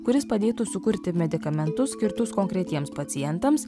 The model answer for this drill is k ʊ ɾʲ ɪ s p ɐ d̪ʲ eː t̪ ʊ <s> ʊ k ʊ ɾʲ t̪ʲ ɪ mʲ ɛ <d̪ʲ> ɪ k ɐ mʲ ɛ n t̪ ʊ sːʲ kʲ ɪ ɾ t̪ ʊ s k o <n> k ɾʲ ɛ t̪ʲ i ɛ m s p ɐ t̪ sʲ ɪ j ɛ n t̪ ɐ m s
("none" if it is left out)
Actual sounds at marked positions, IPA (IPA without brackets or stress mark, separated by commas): s, d̪ʲ, ŋ